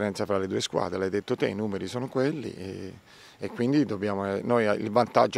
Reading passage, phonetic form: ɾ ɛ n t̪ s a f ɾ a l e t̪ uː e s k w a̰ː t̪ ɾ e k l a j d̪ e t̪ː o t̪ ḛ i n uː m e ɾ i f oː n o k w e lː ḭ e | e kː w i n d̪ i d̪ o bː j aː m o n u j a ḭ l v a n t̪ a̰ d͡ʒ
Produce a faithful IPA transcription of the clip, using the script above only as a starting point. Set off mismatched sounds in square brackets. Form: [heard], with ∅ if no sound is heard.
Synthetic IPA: ɾ ɛ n t̪ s a f ɾ a l e [d̪] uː e s k w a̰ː [d̪] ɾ e [∅] l a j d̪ e t̪ː o t̪ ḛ i n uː m e ɾ i [s] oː n o k w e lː ḭ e | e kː w i n d̪ i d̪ o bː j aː m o n [o] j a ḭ l v a n t̪ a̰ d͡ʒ